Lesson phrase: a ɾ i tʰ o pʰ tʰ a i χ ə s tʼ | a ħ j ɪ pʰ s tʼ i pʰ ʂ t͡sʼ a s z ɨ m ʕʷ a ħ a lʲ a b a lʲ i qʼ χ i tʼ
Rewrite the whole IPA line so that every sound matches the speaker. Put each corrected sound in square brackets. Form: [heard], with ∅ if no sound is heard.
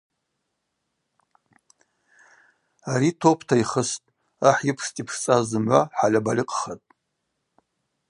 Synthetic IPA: a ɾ i tʰ o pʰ tʰ a i χ ə s tʼ | a ħ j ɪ pʰ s tʼ i pʰ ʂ t͡sʼ a [z] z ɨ m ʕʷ a ħ a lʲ a b a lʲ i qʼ χ [a] tʼ